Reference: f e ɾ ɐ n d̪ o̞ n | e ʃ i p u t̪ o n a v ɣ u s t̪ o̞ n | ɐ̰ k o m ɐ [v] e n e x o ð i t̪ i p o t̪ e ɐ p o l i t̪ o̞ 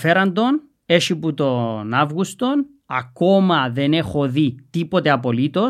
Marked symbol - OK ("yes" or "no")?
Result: no